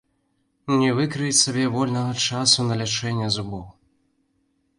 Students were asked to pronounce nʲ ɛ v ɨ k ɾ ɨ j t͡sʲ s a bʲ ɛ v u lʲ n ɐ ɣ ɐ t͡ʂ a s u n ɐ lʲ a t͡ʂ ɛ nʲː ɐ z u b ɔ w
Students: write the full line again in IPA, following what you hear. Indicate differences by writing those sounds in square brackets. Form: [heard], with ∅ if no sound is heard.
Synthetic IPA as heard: nʲ ɛ v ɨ k ɾ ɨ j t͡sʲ s a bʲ ɛ v [ɔ] lʲ n ɐ ɣ ɐ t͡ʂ a s u n ɐ lʲ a t͡ʂ ɛ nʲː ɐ z u b ɔ w